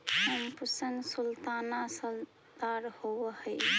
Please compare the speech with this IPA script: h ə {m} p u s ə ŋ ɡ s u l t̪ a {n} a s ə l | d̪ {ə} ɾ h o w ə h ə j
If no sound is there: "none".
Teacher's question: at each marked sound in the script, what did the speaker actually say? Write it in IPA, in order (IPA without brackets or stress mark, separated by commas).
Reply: m, n, a